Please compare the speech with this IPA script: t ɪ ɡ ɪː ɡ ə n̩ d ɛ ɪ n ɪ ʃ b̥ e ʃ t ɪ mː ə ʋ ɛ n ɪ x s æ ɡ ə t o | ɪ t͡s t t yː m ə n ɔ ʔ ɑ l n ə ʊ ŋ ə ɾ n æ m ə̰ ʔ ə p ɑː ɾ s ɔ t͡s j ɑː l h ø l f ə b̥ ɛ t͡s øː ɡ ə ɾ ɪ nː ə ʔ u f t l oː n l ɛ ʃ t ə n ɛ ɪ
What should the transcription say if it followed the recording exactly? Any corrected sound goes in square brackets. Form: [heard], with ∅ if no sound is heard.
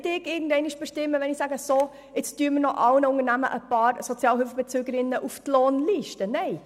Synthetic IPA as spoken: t ɪ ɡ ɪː ɡ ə n̩ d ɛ ɪ n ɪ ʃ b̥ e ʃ t ɪ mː ə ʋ ɛ n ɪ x s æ ɡ ə [s] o | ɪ t͡s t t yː m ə n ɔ ʔ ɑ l n ə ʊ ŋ ə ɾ n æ m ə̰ ʔ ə p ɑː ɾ s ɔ t͡s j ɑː l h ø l f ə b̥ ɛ t͡s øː ɡ ə ɾ ɪ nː ə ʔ u f t l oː n l [i] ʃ t ə n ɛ ɪ